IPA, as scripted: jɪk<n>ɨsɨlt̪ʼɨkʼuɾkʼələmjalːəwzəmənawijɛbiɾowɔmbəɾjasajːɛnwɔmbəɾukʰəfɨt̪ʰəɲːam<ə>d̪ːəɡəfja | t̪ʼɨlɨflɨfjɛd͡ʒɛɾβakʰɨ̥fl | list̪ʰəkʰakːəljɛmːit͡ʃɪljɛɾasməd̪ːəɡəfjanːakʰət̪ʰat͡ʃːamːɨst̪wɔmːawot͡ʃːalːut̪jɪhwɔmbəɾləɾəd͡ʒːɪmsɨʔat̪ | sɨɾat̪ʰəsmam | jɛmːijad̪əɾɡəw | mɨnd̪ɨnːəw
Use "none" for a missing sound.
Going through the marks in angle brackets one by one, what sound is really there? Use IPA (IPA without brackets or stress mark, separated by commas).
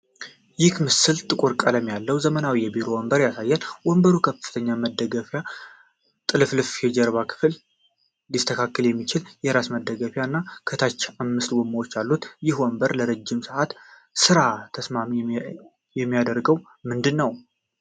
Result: m, ə